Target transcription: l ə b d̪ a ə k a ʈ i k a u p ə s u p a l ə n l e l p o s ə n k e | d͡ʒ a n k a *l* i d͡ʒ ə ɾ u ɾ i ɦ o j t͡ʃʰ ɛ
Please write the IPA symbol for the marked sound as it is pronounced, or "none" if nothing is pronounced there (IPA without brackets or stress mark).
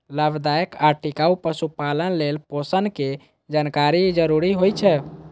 ɾ